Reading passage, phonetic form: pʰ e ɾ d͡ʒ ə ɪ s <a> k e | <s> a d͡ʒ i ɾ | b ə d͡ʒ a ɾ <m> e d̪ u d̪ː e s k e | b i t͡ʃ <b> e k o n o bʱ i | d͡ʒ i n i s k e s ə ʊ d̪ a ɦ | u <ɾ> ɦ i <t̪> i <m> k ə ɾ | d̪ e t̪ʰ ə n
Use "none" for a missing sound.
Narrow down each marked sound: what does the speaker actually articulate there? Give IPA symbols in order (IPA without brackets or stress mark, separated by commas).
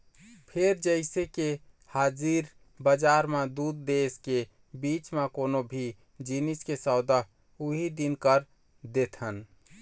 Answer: e, h, m, m, none, d̪, n